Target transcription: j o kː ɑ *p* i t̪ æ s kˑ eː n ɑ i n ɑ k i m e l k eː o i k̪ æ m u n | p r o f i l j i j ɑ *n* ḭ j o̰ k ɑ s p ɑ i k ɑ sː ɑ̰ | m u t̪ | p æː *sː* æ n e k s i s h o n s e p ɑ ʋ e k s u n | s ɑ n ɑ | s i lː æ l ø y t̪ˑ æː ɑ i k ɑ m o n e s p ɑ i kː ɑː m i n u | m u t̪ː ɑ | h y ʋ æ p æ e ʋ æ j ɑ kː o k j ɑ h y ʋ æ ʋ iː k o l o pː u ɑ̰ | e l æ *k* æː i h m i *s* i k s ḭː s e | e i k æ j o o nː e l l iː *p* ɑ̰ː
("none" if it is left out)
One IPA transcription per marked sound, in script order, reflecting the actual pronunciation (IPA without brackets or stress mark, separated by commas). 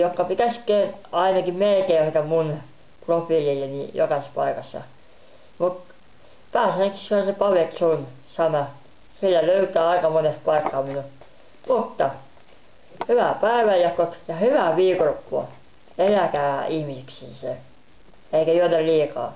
p, n, s, k, s, k